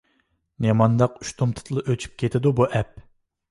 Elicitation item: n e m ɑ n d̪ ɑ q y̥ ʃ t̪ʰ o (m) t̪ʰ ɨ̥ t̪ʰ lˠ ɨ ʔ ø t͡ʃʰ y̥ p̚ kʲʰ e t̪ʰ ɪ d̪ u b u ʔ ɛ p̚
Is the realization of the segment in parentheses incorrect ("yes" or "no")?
no